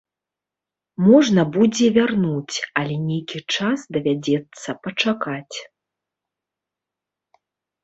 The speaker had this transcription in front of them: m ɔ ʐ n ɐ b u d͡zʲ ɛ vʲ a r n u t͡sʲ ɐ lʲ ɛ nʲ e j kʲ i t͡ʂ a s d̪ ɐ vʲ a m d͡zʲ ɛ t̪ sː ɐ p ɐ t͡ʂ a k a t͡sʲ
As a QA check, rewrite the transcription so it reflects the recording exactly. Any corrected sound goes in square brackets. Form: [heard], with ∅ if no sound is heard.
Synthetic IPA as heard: m ɔ ʐ n ɐ b u d͡zʲ ɛ vʲ a r n u t͡sʲ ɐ lʲ ɛ nʲ e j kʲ i t͡ʂ a s d̪ ɐ vʲ a [∅] d͡zʲ ɛ t̪ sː ɐ p ɐ t͡ʂ a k a t͡sʲ